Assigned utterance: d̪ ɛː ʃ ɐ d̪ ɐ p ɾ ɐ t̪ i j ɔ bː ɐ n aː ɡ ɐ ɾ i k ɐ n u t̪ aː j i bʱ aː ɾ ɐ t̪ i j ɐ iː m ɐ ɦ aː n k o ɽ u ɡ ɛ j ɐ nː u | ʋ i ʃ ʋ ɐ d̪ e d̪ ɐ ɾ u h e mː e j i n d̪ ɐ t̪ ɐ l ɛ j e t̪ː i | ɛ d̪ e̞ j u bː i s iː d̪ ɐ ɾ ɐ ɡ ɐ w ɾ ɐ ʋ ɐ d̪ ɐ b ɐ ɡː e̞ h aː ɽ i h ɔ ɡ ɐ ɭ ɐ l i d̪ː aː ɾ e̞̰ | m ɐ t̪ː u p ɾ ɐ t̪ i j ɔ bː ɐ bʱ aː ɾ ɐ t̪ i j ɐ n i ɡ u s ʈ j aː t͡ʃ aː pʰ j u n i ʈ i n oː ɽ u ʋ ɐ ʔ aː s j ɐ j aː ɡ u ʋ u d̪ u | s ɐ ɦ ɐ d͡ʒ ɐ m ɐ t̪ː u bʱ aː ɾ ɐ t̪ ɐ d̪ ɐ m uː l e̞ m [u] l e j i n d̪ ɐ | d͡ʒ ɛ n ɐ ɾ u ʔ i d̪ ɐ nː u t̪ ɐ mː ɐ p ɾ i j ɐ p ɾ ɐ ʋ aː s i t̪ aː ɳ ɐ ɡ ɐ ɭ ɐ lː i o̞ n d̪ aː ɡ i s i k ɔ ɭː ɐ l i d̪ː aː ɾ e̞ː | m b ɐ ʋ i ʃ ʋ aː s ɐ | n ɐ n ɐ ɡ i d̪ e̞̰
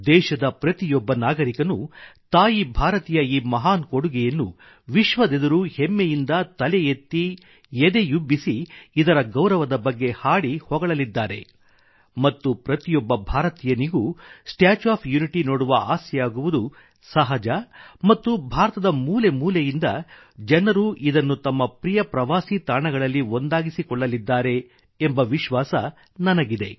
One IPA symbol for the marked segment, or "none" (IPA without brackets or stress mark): uː